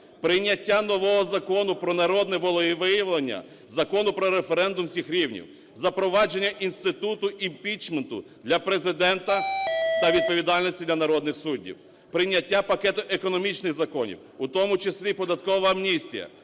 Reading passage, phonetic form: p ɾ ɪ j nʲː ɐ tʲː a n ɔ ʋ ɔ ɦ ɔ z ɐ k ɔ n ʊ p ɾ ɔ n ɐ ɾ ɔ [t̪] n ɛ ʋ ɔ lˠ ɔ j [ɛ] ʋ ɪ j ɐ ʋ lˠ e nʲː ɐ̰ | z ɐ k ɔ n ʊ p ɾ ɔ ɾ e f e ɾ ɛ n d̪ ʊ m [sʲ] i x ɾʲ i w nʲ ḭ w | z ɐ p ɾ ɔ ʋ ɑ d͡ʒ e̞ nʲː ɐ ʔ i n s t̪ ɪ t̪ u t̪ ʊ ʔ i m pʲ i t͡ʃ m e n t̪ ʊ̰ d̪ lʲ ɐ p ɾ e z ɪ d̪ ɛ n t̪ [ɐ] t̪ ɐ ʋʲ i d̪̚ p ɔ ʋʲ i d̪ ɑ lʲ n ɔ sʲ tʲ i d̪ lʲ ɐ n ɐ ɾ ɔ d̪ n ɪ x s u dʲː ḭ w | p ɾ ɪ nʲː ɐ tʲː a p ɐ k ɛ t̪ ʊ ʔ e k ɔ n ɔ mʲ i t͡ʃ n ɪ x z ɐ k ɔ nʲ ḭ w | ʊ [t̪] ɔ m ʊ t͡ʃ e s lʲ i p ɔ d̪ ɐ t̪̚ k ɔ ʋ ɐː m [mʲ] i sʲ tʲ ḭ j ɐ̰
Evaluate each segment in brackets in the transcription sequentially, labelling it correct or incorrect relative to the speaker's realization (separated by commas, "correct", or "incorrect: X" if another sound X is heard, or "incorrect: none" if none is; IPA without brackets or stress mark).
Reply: incorrect: d̪, incorrect: i, correct, correct, correct, incorrect: nʲ